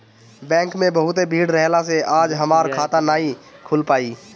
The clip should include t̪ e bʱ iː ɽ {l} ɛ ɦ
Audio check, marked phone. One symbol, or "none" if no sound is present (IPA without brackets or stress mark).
ɾ